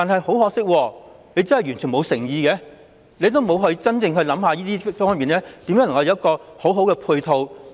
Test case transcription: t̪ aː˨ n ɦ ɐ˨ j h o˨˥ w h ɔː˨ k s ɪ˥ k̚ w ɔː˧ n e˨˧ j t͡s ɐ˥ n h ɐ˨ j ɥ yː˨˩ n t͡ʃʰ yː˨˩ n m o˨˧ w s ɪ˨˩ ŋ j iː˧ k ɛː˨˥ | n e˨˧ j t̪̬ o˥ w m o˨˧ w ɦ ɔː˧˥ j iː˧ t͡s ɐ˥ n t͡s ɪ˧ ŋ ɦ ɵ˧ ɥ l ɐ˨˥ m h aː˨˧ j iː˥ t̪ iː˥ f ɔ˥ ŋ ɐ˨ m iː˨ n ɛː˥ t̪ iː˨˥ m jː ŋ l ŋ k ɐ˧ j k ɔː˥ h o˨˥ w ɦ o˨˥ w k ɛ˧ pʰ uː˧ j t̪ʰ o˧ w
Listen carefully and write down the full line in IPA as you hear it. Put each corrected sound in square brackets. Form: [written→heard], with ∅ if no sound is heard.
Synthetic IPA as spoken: t̪ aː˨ n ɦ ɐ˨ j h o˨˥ w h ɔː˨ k s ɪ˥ k̚ w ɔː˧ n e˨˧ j t͡s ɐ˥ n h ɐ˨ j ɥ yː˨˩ n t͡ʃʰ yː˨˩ n m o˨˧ w s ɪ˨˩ ŋ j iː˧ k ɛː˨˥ | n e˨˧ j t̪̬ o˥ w m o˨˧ w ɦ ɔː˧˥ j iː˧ t͡s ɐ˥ n t͡s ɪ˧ ŋ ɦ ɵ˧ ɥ l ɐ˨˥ m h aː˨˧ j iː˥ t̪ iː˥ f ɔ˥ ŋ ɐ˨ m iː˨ n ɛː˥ t̪ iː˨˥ m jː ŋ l ŋ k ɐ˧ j k [ɔː˥→ɔː˧] h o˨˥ w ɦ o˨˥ w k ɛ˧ pʰ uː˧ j t̪ʰ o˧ w